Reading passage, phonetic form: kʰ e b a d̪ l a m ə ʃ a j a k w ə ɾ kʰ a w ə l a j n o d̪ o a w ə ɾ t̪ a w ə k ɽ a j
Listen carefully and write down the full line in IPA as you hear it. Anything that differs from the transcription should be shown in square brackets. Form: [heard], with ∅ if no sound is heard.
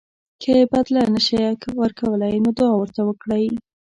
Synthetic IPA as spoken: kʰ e b a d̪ l a [n] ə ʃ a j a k w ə ɾ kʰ a w ə l a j n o d̪ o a w ə ɾ t̪ a w ə k ɽ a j